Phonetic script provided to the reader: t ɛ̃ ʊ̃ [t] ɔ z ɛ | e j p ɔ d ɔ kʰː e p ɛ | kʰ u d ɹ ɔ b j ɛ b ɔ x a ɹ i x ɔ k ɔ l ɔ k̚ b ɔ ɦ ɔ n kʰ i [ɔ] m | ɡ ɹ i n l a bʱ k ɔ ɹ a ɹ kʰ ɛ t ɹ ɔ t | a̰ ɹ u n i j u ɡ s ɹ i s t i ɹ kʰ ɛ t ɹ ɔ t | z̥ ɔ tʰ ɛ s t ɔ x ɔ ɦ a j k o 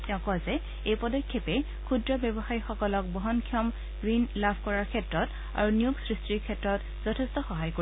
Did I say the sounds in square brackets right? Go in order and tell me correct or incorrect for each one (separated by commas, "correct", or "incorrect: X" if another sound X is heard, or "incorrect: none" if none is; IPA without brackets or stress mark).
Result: incorrect: k, correct